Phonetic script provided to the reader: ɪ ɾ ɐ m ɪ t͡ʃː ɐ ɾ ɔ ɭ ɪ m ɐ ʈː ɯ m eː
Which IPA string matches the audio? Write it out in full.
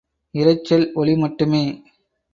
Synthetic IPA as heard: ɪ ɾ ɐ ɪ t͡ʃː ɐ l ɔ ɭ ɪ m ɐ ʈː ɯ m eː